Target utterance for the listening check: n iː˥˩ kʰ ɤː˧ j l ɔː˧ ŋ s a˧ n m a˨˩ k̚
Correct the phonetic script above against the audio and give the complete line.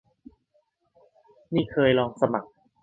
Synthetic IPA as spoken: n iː˥˩ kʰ ɤː˧ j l ɔː˧ ŋ s a˧ m a˨˩ k̚